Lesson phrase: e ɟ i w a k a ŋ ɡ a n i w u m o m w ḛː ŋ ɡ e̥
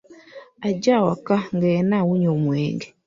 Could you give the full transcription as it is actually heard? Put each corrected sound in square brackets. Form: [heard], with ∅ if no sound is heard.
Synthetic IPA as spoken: [a] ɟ [a] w a k a ŋ ɡ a n [a] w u [ɲ] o m w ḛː ŋ ɡ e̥